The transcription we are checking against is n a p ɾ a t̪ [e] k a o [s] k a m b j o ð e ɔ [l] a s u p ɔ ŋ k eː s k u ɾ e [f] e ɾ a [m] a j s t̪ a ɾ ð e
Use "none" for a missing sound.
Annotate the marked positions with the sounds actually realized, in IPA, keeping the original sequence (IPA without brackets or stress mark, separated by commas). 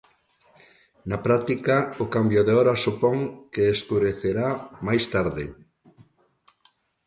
i, none, ɾ, θ, m